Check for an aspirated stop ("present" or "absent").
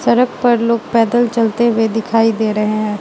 present